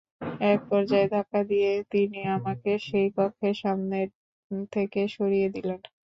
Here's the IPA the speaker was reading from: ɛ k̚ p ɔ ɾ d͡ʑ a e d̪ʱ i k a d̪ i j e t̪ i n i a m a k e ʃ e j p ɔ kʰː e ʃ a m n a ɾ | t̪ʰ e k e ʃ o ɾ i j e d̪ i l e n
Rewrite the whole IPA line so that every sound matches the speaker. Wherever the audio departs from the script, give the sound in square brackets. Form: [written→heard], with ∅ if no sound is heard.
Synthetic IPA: ɛ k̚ p ɔ ɾ d͡ʑ a e d̪ʱ [i→a] k a d̪ i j e t̪ i n i a m a k e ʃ e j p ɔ kʰː e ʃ a m n [a→e] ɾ | t̪ʰ e k e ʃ o ɾ i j e d̪ i l e n